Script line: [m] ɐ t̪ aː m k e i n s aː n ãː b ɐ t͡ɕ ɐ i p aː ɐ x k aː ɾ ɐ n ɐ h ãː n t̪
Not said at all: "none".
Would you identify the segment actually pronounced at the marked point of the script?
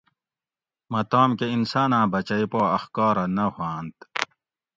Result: m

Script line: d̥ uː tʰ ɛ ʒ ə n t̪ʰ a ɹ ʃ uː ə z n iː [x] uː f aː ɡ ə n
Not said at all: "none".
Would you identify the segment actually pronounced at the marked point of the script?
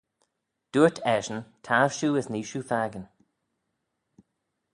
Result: ʃ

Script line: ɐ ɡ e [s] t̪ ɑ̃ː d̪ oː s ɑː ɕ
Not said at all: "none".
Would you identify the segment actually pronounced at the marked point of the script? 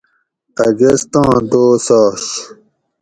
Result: s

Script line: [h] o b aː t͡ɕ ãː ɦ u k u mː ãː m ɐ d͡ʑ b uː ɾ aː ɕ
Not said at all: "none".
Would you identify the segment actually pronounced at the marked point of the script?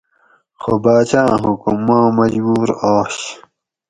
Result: x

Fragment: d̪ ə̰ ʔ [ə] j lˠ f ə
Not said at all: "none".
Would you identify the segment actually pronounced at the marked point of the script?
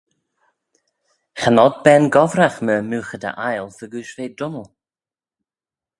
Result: a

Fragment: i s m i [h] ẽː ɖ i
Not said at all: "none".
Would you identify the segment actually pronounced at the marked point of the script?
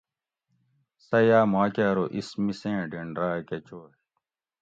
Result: s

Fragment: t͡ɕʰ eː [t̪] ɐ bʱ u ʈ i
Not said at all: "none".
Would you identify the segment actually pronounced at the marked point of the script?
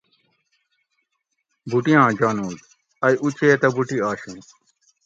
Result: t̪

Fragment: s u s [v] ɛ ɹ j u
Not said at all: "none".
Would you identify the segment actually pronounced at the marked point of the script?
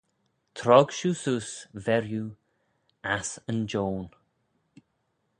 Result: v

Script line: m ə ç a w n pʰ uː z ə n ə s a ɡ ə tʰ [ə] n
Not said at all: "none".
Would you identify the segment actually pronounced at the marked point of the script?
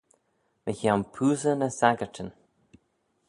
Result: ə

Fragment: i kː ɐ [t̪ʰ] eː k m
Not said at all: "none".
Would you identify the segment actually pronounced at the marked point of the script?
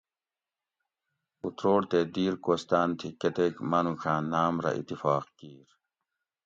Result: t̪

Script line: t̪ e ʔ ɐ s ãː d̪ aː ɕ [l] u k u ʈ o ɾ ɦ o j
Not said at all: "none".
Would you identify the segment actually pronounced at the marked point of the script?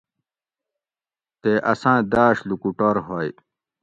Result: l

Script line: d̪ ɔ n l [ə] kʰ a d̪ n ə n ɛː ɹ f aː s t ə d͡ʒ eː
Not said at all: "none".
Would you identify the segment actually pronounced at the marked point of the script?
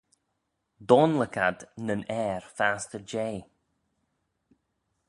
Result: ə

